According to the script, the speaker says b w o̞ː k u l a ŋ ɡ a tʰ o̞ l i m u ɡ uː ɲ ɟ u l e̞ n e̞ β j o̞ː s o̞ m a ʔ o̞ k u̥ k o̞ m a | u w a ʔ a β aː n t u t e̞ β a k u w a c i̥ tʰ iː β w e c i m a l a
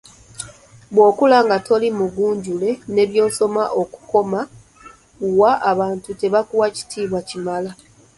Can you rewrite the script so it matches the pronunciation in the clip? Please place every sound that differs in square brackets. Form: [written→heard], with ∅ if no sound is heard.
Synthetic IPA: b w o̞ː k u l a ŋ ɡ a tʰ o̞ l i m u ɡ uː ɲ ɟ u l e̞ n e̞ β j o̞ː s o̞ m a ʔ o̞ k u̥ k o̞ m a | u w a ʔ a β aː n t u t e̞ β a k u w a c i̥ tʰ iː β w [e→a] c i m a l a